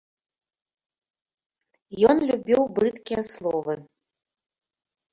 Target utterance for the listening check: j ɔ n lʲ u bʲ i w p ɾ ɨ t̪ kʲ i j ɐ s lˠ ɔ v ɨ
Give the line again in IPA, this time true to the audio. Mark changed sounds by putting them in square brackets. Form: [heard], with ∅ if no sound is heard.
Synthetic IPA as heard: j ɔ n lʲ u bʲ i w [b] ɾ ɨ t̪ kʲ i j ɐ s lˠ ɔ v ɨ